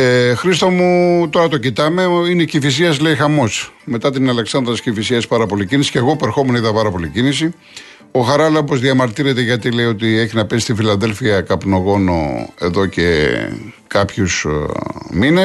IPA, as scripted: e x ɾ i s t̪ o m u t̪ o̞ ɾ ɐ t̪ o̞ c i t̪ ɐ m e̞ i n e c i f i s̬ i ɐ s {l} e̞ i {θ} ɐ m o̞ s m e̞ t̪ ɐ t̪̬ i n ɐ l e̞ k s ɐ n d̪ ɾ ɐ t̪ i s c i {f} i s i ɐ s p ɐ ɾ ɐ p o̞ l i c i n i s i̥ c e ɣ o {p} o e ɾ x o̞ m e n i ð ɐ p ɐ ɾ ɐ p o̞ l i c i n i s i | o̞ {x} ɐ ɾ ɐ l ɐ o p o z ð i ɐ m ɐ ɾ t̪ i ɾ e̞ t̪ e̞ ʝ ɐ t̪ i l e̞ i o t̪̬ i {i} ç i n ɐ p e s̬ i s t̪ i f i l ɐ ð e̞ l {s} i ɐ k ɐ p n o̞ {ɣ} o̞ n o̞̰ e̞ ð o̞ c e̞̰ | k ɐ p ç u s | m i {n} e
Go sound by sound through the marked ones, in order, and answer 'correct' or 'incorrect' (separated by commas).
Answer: correct, incorrect, correct, correct, correct, incorrect, incorrect, correct, correct